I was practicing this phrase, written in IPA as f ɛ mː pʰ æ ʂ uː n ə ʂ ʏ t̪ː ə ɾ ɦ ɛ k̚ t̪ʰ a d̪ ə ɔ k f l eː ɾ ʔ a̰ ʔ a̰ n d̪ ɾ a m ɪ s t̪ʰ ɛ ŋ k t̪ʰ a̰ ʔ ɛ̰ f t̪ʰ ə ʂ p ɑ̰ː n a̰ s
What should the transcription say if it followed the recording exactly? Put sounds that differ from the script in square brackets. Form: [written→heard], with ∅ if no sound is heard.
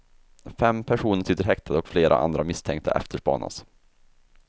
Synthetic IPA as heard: f ɛ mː pʰ æ ʂ uː n ə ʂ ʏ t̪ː ə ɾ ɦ ɛ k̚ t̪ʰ a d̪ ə ɔ k f l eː ɾ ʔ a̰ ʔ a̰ n d̪ ɾ a m ɪ s t̪ʰ ɛ ŋ k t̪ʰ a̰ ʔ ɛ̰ f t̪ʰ ə ʂ p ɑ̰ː n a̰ s